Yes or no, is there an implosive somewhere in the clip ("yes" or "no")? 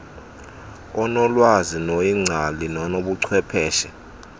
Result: yes